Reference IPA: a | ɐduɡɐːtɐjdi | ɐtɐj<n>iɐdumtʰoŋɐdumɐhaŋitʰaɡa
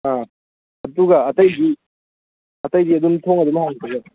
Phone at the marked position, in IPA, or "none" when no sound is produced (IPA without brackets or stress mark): d